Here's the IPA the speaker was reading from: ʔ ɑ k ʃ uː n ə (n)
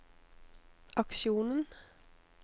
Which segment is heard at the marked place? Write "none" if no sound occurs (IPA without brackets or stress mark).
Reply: n